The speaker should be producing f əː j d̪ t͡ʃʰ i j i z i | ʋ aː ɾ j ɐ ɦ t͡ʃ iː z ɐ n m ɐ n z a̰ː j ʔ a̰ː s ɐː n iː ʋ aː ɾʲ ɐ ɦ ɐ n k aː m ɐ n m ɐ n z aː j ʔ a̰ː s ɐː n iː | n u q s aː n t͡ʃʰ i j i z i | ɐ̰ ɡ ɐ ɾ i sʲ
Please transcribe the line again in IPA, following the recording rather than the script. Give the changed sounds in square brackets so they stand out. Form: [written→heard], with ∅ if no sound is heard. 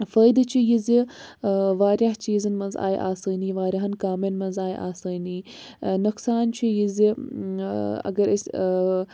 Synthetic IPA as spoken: f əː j d̪ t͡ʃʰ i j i z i | ʋ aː ɾ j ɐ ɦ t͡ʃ iː z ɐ n m ɐ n z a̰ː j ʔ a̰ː s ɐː n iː ʋ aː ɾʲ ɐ ɦ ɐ n k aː m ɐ n m ɐ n z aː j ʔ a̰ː s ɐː n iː | n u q s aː n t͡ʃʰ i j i z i | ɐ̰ ɡ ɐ ɾ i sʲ